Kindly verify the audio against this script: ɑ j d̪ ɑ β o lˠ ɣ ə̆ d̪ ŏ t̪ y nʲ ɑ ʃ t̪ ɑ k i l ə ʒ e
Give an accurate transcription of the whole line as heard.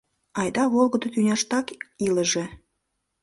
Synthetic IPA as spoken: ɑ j d̪ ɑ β o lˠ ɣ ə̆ d̪ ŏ t̪ y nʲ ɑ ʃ t̪ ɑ k i l ə ʒ e